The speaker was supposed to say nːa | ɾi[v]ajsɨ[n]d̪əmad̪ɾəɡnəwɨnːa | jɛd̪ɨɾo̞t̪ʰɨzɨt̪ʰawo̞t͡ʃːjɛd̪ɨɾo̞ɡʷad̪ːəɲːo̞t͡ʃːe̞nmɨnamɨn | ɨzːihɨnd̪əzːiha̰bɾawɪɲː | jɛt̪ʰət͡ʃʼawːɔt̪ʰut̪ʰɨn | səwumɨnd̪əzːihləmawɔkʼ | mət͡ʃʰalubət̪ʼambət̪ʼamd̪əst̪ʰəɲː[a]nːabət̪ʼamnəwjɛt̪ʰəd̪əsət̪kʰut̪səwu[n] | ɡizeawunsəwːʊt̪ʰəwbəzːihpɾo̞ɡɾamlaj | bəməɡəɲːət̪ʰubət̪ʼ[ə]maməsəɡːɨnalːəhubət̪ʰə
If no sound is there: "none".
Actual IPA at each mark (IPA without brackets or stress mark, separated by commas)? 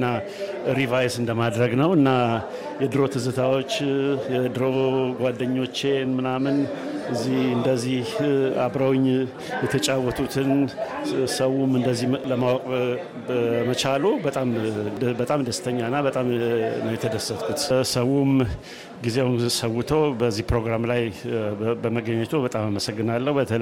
v, n, a, m, a